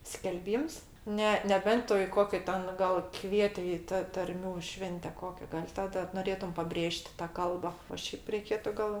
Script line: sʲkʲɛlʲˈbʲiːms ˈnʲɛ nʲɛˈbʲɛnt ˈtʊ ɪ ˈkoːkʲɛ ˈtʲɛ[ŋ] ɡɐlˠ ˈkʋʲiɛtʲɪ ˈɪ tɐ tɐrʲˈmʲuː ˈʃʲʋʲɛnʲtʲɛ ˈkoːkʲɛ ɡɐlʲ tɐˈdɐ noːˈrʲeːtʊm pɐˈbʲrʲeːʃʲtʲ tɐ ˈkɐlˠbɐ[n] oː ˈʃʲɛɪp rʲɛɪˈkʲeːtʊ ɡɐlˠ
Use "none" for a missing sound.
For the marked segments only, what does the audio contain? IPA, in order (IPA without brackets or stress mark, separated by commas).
n, none